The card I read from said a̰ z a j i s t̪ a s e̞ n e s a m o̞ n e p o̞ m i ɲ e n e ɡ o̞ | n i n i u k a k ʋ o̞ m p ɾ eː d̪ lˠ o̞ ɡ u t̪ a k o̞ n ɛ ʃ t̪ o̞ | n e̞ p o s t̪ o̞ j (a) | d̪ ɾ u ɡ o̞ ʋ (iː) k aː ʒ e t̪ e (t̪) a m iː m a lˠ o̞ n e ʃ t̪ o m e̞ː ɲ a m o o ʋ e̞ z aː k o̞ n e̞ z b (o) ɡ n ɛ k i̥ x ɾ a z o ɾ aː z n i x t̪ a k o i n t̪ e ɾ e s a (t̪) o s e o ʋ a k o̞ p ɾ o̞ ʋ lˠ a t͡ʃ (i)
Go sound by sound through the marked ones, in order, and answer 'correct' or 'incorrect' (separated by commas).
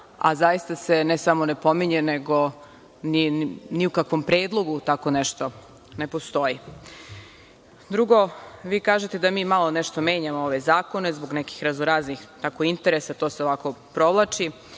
incorrect, correct, incorrect, correct, correct, correct